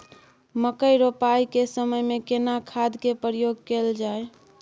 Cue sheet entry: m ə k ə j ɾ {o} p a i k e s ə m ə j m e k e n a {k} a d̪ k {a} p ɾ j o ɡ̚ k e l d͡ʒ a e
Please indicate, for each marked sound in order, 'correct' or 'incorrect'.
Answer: correct, incorrect, incorrect

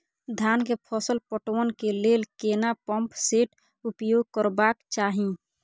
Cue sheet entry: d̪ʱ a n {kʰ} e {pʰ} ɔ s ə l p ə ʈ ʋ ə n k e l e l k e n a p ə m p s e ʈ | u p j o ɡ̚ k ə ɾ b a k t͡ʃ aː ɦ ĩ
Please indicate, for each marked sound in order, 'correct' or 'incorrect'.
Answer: incorrect, correct

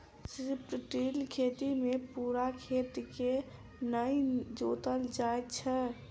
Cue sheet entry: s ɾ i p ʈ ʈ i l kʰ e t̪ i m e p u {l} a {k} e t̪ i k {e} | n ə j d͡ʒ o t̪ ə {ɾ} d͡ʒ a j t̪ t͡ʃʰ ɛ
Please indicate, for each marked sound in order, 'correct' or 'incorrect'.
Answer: incorrect, incorrect, correct, incorrect

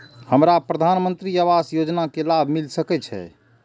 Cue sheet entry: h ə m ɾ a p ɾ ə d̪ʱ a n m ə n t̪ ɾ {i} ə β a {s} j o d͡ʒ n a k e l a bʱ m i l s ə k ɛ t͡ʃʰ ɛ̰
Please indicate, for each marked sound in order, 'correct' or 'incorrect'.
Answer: correct, correct

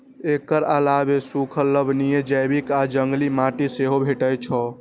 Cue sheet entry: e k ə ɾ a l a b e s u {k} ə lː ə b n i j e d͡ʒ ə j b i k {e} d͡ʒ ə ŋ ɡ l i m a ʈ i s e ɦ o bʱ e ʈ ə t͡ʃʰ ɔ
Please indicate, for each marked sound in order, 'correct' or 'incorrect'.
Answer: incorrect, incorrect

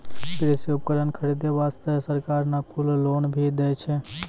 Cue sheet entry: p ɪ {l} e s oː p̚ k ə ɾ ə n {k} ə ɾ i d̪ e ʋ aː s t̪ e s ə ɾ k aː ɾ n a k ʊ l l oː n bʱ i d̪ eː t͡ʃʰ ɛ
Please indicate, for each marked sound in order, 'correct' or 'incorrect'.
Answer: incorrect, incorrect

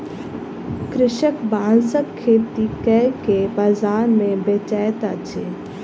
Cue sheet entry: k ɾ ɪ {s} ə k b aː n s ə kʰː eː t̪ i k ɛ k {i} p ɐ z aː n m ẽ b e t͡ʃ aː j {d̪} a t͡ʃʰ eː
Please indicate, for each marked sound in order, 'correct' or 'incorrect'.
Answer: incorrect, incorrect, incorrect

